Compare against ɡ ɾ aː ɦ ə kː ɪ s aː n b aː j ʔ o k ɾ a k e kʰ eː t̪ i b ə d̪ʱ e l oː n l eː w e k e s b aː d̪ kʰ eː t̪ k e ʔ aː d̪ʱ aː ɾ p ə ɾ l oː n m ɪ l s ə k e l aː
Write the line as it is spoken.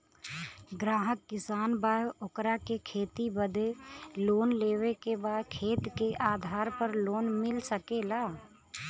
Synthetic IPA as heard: ɡ ɾ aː ɦ ə kː ɪ s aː n b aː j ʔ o k ɾ a k e kʰ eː t̪ i b ə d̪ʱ e l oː n l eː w e k e b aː d̪ kʰ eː t̪ k e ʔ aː d̪ʱ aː ɾ p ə ɾ l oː n m ɪ l s ə k e l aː